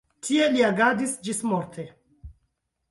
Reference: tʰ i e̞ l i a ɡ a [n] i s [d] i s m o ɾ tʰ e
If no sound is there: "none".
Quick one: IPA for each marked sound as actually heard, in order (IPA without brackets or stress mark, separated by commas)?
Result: d, d͡ʒ